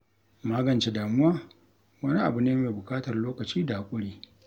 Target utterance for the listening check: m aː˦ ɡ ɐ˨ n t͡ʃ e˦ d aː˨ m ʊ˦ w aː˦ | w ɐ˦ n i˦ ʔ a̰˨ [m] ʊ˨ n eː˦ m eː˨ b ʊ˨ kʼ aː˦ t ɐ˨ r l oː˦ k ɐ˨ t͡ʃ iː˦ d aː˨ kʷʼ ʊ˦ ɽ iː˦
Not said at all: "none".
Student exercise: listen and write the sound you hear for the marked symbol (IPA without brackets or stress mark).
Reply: b